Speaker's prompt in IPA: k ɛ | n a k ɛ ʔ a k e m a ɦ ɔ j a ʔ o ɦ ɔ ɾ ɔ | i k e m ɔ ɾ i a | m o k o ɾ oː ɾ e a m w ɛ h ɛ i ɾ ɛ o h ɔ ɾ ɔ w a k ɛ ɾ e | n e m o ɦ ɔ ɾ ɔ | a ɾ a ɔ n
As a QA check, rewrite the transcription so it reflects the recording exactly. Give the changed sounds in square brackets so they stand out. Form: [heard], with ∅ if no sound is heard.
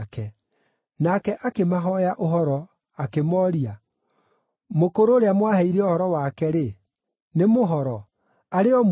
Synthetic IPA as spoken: k ɛ | n a k ɛ ʔ a k e m a ɦ ɔ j a ʔ o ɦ ɔ ɾ ɔ | [a] k e m ɔ ɾ i a | m o k o ɾ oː ɾ e a m w [a] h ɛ i ɾ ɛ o h ɔ ɾ ɔ w a k ɛ ɾ e | n e m o ɦ ɔ ɾ ɔ | a ɾ [e] ɔ [m]